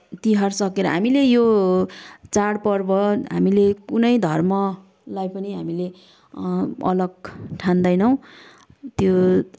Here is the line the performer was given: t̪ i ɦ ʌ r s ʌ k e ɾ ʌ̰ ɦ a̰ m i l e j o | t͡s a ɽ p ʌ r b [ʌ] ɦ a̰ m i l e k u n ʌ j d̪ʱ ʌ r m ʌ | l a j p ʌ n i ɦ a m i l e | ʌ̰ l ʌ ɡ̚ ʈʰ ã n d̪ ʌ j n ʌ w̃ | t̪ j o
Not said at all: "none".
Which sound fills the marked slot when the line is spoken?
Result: ʌ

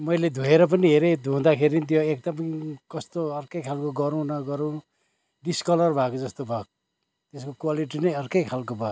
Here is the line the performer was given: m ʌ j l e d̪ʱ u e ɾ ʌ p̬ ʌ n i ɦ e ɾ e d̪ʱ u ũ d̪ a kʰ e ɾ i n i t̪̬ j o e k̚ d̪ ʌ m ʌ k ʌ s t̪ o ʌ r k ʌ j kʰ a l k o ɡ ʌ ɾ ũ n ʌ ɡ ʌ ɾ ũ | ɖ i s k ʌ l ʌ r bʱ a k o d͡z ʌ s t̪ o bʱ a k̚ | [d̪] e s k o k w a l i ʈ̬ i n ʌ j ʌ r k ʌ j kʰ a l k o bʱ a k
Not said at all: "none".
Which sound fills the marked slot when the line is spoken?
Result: t̪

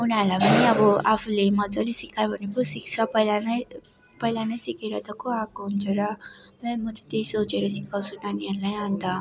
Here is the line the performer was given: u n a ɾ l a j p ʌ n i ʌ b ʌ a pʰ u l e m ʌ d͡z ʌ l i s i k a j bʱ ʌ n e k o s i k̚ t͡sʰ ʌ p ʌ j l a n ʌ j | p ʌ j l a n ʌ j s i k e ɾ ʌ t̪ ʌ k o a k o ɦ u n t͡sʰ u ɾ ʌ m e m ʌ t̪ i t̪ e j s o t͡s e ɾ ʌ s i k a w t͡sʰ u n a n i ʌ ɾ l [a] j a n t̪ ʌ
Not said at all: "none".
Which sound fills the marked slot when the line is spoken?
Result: a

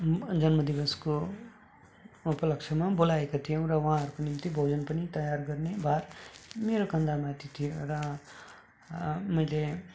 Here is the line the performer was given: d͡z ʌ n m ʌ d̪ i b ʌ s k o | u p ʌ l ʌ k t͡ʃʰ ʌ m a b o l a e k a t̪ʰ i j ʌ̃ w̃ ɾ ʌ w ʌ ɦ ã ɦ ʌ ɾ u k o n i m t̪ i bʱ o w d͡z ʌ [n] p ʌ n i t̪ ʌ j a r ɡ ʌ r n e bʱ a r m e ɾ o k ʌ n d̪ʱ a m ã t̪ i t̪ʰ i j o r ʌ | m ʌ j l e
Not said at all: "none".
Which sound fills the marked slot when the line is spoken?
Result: n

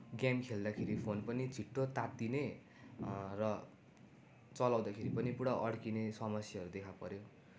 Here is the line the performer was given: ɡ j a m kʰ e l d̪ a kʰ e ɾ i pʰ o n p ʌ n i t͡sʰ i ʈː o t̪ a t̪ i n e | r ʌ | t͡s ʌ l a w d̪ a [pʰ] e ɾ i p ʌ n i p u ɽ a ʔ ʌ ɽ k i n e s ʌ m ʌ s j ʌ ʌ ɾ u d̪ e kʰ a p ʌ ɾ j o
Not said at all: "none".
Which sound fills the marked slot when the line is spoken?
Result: kʰ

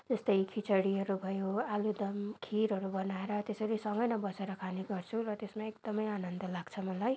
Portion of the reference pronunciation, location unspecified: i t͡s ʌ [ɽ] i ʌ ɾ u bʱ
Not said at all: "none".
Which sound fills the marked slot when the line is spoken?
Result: ɽ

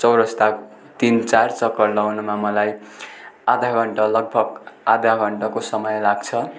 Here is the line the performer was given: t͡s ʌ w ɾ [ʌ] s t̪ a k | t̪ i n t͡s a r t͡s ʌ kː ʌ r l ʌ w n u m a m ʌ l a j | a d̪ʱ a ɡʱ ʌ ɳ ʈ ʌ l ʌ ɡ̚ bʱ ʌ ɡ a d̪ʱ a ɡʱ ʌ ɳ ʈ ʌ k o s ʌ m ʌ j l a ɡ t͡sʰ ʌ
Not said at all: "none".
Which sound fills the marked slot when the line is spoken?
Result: ʌ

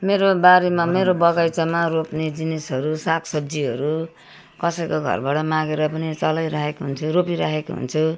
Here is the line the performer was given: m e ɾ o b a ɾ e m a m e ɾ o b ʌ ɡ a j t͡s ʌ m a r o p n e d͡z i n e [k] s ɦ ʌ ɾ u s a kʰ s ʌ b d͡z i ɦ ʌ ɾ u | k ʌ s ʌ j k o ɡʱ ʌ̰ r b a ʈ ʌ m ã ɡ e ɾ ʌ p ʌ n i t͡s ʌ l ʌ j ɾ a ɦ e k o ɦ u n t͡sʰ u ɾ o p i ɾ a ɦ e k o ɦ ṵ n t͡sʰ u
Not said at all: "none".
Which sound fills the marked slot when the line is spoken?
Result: none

